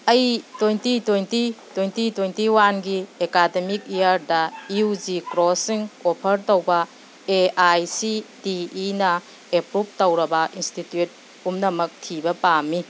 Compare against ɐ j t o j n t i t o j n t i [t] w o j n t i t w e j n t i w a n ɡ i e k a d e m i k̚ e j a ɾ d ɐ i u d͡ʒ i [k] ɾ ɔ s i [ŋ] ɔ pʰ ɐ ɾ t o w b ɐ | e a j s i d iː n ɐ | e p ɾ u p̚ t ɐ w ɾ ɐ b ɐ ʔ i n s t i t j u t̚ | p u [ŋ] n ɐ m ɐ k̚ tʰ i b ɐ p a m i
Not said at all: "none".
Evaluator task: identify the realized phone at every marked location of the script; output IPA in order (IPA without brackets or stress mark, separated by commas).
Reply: t, k, ŋ, m